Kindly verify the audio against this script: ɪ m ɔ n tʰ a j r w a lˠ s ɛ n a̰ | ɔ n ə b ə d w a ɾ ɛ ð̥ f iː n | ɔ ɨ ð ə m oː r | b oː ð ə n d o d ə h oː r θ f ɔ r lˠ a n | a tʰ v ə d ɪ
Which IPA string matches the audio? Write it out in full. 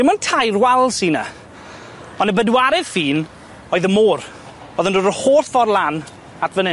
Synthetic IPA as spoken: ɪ m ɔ n tʰ a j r w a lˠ s i n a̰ | ɔ n ə b ə d w a ɾ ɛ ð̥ f iː n | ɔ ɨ ð ə m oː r | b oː ð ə n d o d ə h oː r θ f ɔ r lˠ a n | a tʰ v ə n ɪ

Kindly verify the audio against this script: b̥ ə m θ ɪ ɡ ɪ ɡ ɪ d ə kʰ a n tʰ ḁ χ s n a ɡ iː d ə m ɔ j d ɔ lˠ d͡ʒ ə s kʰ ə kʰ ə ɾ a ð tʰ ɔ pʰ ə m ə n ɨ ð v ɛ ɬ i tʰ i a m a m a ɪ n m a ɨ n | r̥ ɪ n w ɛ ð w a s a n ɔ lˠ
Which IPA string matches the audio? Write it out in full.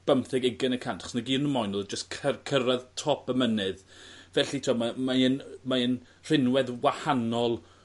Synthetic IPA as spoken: b̥ ə m θ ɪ ɡ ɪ ɡ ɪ n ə kʰ a n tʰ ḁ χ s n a ɡ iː n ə m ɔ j n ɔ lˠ d͡ʒ ə s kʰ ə kʰ ə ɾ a ð tʰ ɔ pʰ ə m ə n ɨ ð v ɛ ɬ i tʰ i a m a m a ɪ n m a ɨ n | r̥ ɪ n w ɛ ð w a h a n ɔ lˠ

